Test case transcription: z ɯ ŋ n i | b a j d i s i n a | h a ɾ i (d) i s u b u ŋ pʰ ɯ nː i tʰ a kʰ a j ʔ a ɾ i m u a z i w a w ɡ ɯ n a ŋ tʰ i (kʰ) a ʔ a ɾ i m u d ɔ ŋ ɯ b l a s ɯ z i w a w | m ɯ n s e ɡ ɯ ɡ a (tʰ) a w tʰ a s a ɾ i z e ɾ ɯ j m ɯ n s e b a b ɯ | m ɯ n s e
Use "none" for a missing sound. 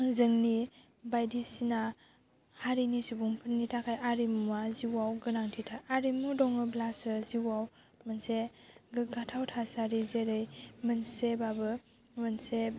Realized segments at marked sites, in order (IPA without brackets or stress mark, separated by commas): n, tʰ, tʰ